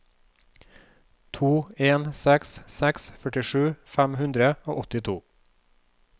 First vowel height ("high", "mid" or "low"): high